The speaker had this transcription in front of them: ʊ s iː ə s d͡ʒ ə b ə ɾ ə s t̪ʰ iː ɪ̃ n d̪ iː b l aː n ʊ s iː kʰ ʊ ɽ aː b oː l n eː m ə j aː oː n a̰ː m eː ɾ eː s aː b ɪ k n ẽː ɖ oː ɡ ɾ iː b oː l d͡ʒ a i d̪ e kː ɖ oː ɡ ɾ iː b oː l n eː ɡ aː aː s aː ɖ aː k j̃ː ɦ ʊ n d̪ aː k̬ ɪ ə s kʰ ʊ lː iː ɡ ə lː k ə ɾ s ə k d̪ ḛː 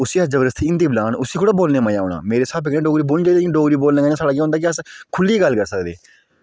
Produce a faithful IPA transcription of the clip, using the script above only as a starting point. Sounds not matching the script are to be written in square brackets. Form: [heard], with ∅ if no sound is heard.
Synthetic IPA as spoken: ʊ s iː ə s d͡ʒ ə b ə ɾ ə s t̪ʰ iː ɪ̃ n d̪ iː b l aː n ʊ s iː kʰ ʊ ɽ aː b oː l n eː m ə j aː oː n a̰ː m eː ɾ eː s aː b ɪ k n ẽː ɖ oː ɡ ɾ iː b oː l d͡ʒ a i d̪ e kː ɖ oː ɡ ɾ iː b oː l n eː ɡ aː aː s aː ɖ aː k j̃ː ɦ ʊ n d̪ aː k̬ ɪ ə s kʰ ʊ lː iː ɡ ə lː k ə ɾ s ə k d̪ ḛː